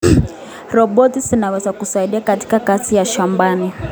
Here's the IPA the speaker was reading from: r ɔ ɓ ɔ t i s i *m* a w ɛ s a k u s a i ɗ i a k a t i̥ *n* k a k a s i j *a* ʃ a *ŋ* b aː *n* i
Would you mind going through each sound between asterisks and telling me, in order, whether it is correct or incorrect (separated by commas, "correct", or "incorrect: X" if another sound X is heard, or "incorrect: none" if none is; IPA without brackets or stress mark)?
incorrect: n, incorrect: none, correct, incorrect: m, correct